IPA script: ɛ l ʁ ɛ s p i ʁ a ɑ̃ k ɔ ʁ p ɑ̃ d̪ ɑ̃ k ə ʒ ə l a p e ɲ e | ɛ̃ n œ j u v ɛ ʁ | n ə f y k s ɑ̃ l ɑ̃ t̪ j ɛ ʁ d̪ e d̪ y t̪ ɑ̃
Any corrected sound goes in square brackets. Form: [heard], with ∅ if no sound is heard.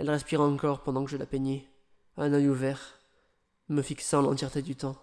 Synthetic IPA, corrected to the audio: ɛ l ʁ ɛ s p i ʁ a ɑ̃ k ɔ ʁ p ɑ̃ d̪ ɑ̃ k ə ʒ ə l a p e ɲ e | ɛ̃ n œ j u v ɛ ʁ | [m] ə f [i] k s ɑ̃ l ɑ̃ t̪ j ɛ ʁ [t̪] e d̪ y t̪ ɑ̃